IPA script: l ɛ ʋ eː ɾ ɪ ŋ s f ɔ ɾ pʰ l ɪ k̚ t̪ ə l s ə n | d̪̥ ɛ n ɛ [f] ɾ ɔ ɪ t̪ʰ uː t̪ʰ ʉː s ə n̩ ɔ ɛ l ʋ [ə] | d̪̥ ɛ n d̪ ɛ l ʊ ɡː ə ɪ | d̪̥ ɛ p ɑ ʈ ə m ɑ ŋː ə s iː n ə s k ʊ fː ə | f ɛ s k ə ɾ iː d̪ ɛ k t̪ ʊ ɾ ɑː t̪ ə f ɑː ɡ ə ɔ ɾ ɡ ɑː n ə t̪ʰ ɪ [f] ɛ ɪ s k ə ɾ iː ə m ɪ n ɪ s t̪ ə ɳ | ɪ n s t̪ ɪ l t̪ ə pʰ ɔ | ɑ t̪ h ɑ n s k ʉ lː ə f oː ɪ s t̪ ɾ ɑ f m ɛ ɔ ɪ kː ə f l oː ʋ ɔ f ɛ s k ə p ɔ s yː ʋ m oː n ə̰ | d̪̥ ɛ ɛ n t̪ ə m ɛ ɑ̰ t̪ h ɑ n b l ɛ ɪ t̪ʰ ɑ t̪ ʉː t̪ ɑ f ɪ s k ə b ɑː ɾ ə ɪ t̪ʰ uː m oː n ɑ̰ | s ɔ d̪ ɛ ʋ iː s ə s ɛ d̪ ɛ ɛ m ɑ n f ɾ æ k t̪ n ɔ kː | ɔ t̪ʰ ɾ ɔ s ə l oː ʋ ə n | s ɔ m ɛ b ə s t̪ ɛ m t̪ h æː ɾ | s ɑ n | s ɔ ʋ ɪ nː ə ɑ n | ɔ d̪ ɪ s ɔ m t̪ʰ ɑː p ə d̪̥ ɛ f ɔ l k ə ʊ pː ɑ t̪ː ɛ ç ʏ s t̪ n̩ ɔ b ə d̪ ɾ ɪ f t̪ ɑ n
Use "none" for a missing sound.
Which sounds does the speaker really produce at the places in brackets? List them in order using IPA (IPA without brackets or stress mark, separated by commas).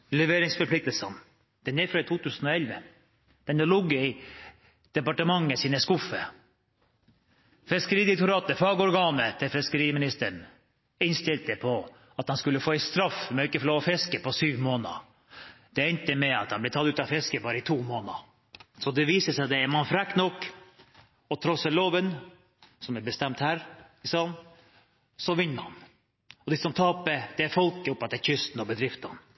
f, ə, f